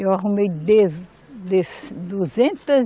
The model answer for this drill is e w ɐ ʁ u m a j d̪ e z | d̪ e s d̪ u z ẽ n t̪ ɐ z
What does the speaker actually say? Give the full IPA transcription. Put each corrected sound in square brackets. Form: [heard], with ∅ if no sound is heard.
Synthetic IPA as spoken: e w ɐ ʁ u m [e] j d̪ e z | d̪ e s d̪ u z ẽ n t̪ ɐ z